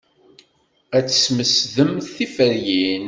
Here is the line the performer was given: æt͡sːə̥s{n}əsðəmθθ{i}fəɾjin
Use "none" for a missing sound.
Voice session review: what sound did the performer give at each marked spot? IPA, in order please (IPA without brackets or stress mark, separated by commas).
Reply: m, i